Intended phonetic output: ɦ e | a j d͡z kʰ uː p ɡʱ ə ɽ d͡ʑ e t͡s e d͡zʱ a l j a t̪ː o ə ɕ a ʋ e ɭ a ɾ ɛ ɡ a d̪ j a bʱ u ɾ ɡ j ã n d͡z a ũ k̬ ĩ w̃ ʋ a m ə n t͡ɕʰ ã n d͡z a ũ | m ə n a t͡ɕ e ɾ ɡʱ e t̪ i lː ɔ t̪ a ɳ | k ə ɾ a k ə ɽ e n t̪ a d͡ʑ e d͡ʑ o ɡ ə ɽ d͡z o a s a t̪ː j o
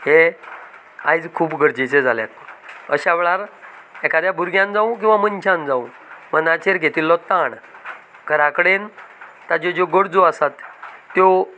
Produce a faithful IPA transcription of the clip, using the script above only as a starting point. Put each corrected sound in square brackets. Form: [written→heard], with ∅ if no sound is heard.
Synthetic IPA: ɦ e | a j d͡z kʰ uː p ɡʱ ə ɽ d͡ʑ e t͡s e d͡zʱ a l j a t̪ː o ə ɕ a ʋ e ɭ a ɾ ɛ [ɡ→k] a d̪ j a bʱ u ɾ ɡ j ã n d͡z a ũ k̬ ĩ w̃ ʋ a m ə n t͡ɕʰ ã n d͡z a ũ | m ə n a t͡ɕ e ɾ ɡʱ e t̪ i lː ɔ t̪ a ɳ | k ə ɾ a k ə ɽ e n t̪ a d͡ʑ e d͡ʑ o ɡ ə ɽ d͡z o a s a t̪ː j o